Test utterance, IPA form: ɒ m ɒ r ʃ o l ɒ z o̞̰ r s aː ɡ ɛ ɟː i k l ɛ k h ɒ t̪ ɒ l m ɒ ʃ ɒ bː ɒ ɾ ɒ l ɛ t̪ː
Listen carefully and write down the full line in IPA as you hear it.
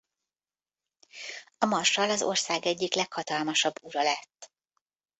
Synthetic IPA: ɒ m ɒ r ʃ ɒ l ɒ z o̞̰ r s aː ɡ ɛ ɟː i k l ɛ k h ɒ t̪ ɒ l m ɒ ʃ ɒ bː u ɾ ɒ l ɛ t̪ː